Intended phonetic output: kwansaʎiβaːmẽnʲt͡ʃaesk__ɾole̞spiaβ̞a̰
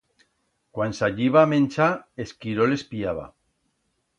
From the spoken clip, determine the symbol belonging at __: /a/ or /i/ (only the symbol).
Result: i